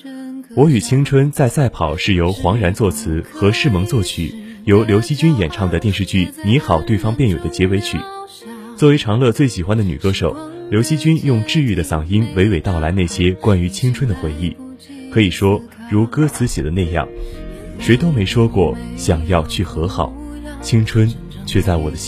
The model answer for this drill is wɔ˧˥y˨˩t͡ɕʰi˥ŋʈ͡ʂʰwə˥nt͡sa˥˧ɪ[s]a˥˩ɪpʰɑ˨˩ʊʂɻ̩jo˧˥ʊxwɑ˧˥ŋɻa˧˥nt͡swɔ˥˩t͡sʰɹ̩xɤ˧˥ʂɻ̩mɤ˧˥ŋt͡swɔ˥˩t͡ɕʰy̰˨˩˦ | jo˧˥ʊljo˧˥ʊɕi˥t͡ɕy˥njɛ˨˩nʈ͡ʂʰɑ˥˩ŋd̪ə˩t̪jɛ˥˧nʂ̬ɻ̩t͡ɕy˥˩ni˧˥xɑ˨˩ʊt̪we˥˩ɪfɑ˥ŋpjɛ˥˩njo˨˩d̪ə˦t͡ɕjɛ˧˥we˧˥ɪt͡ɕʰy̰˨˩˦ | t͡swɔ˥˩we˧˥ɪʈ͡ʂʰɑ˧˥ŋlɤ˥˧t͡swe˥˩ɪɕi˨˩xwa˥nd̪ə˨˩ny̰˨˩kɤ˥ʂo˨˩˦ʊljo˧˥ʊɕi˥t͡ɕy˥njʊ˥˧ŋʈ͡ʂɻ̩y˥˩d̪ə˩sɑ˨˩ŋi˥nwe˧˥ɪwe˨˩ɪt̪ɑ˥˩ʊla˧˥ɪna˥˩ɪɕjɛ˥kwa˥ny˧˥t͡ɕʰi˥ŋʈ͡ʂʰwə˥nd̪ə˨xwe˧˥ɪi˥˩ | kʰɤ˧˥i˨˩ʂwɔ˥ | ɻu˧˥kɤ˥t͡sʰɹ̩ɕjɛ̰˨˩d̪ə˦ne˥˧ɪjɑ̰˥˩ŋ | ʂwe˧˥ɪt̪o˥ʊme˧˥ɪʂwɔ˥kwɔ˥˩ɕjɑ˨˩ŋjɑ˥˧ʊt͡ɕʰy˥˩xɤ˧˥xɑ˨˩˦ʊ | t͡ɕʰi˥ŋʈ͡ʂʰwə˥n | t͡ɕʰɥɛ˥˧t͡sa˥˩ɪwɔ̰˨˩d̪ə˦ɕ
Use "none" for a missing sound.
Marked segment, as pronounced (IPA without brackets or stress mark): s